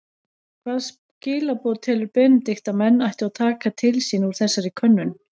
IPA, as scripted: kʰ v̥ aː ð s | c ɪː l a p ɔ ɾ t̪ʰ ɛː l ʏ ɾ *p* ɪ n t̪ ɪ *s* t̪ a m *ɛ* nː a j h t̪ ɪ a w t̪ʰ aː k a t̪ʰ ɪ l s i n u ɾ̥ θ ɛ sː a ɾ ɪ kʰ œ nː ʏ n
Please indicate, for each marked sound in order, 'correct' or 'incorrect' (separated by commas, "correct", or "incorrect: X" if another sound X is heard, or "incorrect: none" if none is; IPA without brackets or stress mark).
correct, incorrect: x, correct